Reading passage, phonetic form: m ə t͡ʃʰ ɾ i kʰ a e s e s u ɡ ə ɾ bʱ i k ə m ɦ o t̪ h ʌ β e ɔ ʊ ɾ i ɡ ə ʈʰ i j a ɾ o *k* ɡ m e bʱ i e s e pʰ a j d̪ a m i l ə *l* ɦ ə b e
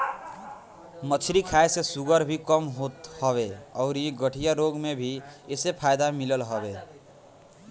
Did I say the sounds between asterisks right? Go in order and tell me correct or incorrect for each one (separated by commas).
incorrect, correct